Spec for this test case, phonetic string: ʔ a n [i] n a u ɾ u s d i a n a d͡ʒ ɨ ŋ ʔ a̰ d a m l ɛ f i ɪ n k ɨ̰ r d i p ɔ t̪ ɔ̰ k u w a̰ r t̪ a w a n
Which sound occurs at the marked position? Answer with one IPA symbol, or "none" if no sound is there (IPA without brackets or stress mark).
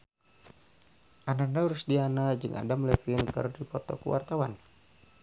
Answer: a